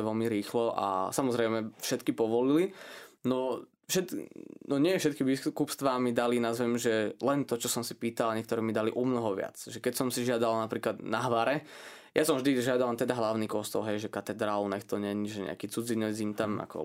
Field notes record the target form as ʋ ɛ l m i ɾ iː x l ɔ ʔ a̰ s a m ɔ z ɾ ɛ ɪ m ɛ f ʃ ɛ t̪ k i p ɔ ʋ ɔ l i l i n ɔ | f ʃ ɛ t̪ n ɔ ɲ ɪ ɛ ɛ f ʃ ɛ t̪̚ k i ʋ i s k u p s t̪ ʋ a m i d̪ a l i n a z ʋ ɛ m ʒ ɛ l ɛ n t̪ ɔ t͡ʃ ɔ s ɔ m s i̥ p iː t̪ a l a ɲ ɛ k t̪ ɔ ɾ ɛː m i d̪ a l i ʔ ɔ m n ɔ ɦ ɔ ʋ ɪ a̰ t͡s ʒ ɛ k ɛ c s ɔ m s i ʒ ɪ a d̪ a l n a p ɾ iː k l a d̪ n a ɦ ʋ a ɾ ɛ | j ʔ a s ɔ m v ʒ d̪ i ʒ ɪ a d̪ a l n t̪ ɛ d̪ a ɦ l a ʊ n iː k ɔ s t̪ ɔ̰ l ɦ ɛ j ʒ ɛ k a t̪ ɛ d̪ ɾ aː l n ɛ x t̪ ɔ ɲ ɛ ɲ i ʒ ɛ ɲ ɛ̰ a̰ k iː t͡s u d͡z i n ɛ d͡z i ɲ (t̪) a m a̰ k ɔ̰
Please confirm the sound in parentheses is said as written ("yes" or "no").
yes